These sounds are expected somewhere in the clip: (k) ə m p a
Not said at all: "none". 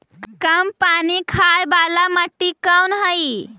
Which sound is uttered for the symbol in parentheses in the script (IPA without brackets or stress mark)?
k